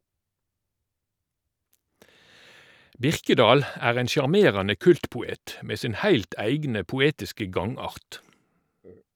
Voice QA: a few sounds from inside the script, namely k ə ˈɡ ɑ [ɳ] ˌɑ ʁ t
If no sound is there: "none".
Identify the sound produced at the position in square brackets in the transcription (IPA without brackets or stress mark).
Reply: ŋ